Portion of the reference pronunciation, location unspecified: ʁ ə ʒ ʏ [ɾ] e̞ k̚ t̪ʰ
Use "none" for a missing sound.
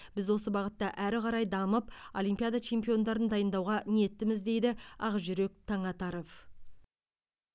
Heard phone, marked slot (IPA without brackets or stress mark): ɾ